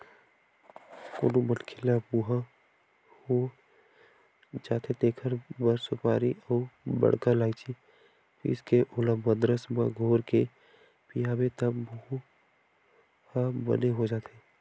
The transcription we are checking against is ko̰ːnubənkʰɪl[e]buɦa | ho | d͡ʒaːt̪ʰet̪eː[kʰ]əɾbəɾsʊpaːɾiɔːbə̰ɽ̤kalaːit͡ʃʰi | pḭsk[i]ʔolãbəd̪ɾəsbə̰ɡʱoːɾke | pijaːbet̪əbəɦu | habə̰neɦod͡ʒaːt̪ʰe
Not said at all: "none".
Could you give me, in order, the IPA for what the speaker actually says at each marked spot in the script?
a, kʰ, e

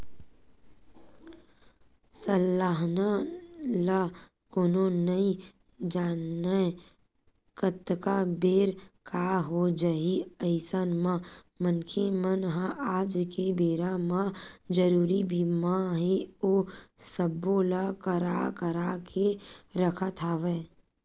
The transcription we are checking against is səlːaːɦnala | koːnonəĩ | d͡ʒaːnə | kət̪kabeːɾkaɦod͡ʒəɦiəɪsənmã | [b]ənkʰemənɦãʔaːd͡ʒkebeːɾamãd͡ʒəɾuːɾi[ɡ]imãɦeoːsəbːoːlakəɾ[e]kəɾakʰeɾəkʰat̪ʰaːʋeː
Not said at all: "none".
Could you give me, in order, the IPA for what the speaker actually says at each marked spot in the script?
m, b, a

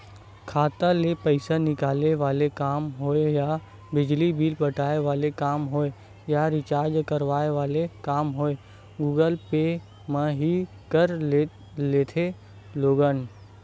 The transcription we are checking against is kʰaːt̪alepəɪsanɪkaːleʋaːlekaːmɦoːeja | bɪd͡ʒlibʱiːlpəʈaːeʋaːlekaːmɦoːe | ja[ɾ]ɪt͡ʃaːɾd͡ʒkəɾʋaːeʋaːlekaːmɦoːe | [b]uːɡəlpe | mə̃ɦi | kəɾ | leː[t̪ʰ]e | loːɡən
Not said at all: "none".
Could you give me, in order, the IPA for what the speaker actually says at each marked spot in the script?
ɾ, ɡ, t̪ʰ

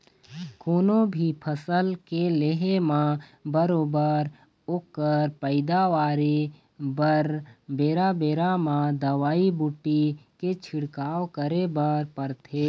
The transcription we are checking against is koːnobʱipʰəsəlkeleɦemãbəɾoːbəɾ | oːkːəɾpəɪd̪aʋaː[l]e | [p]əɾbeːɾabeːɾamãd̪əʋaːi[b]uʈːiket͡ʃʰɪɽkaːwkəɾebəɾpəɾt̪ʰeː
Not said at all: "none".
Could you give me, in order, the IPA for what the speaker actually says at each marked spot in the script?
ɾ, b, b

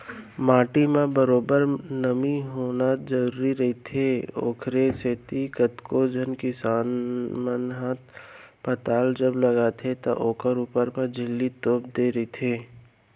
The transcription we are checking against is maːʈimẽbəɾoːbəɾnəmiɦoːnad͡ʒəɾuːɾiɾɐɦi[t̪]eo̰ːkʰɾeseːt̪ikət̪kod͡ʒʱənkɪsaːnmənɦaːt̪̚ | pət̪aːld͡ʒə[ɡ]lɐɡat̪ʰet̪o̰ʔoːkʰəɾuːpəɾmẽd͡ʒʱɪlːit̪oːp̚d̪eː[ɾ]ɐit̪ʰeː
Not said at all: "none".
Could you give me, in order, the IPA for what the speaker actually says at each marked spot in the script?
t̪ʰ, b, ɾ

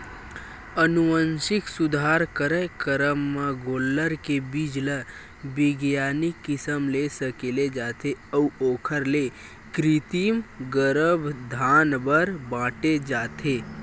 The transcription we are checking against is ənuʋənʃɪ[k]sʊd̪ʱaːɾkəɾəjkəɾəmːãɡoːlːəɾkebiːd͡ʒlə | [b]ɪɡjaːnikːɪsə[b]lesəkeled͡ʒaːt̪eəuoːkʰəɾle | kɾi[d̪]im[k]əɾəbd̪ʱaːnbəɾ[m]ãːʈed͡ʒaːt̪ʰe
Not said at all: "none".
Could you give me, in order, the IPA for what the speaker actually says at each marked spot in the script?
k, b, m, t̪, ɡ, b

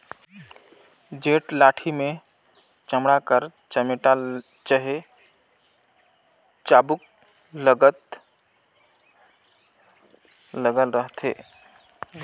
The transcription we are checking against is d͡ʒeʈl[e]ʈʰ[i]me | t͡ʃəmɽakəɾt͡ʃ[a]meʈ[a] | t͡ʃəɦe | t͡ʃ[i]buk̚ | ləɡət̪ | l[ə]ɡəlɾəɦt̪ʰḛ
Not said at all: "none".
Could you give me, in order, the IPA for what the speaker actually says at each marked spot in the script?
a, i, ə, a, a, ə

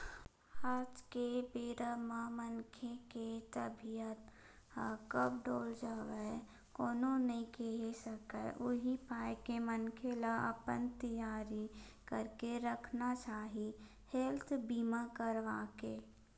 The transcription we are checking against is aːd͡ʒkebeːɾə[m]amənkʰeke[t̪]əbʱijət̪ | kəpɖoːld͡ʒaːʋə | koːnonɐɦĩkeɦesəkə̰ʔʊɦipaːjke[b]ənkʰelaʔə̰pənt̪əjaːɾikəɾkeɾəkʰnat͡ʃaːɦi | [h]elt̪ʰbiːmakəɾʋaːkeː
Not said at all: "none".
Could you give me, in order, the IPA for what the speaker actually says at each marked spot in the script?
m, t̪, m, h

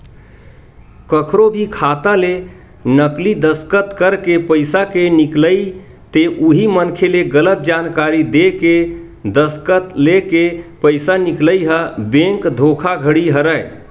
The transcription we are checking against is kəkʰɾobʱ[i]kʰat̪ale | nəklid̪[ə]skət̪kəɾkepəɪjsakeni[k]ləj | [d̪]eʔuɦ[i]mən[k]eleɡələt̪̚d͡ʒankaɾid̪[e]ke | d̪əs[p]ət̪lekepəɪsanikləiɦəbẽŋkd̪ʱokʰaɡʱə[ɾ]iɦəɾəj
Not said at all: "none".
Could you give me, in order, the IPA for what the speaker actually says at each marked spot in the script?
i, ə, k, t̪, i, kʰ, e, k, ɽ

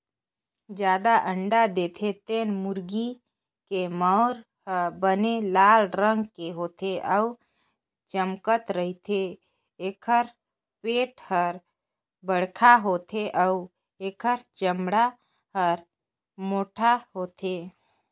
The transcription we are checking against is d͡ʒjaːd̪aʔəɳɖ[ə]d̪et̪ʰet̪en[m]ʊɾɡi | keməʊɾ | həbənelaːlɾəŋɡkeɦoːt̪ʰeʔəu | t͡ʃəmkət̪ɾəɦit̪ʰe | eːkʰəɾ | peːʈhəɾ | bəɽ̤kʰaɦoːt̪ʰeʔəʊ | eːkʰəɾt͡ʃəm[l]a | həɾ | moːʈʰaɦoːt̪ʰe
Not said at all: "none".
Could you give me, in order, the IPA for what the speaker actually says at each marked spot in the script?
a, m, ɽ

